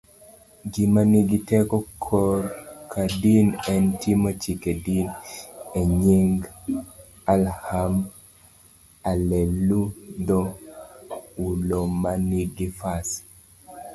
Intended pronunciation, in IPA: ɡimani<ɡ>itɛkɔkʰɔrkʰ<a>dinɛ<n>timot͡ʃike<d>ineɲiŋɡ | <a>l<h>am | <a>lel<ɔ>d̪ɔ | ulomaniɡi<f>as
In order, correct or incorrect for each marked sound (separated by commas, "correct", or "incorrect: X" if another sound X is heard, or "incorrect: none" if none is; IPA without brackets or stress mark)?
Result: correct, correct, correct, correct, correct, correct, correct, incorrect: u, correct